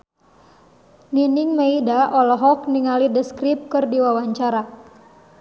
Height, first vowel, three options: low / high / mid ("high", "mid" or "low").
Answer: high